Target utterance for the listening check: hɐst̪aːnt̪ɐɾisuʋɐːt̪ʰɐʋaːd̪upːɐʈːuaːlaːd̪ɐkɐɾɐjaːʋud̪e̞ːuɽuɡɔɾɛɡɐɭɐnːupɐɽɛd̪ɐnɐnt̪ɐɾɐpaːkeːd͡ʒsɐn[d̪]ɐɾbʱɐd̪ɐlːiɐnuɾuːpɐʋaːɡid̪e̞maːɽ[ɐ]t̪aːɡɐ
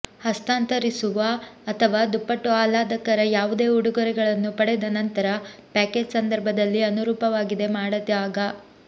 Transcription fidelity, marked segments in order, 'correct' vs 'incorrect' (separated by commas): correct, correct